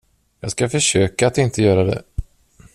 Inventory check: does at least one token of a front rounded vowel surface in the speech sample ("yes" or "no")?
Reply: yes